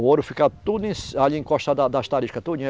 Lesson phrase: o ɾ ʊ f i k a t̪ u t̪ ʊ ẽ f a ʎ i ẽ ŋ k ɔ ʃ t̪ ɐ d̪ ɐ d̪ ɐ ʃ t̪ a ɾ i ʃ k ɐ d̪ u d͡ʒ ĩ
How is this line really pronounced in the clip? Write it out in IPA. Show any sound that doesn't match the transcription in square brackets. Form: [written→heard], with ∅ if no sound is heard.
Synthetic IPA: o ɾ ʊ f i k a t̪ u [t̪→d̪] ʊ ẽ [f→s] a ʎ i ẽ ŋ k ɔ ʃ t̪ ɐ d̪ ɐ d̪ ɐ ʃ t̪ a ɾ i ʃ k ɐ [d̪→t̪] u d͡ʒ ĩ